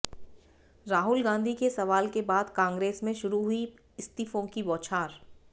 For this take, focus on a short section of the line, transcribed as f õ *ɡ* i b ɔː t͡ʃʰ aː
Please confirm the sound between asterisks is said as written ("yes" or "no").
no